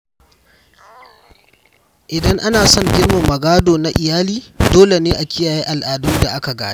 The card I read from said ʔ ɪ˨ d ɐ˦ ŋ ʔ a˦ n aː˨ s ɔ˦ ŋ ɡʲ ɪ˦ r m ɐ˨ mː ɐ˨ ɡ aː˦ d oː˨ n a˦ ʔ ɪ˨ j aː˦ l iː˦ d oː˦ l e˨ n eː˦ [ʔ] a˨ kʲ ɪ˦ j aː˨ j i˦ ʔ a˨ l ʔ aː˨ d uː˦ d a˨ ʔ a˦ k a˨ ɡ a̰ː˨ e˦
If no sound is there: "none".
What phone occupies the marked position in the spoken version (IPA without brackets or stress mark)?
ʔ